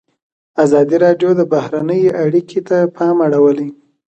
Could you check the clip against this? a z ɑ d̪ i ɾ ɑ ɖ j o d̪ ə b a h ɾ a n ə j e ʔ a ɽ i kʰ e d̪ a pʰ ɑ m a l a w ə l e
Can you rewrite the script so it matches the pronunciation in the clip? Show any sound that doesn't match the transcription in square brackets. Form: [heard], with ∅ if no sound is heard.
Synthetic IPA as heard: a z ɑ d̪ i ɾ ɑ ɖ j o d̪ ə b a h ɾ a n ə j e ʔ a ɽ i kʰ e [t̪] a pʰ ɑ m a [ɽ] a w ə l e